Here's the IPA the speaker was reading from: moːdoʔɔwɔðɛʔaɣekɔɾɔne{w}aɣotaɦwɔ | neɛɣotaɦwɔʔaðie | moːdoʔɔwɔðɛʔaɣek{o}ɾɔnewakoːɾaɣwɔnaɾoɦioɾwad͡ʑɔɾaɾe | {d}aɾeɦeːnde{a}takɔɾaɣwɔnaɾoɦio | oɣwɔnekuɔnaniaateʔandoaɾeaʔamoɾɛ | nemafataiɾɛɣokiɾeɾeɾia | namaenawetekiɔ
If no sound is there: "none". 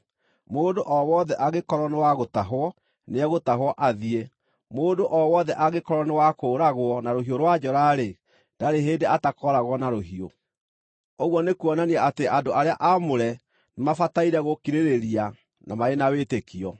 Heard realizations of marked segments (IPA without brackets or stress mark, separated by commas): w, ɔ, d, a